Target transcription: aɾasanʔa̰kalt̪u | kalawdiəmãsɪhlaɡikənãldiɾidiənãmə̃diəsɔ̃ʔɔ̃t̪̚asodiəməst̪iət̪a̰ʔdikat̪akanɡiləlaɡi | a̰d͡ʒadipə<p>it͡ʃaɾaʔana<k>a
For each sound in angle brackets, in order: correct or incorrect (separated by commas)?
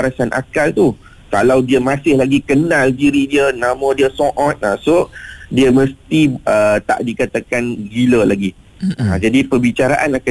incorrect, correct